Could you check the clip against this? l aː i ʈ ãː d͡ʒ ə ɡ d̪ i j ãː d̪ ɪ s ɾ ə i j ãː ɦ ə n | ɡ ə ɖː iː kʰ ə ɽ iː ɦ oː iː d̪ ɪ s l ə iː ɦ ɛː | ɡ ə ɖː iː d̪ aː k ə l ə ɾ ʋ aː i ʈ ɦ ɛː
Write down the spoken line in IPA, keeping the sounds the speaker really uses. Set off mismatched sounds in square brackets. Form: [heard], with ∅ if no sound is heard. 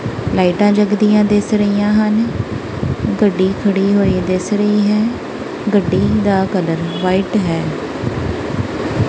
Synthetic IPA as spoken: l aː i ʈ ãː d͡ʒ ə ɡ d̪ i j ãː d̪ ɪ s ɾ ə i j ãː ɦ ə n | ɡ ə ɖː iː kʰ ə ɽ iː ɦ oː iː d̪ ɪ s [ɾ] ə iː ɦ ɛː | ɡ ə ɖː iː d̪ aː k ə l ə ɾ ʋ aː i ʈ ɦ ɛː